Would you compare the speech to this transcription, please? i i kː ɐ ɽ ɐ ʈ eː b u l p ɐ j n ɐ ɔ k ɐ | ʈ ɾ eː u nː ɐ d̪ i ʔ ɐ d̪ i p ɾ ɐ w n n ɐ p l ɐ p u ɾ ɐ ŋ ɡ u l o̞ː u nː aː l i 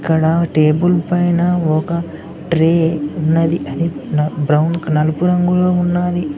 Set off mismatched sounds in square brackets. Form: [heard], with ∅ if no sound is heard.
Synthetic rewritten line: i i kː ɐ ɽ ɐ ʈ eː b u l p ɐ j n ɐ ɔ k ɐ | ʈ ɾ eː u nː ɐ d̪ i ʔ ɐ d̪ i [b] ɾ ɐ w n n ɐ [∅] l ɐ p u ɾ ɐ ŋ ɡ u l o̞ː u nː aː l i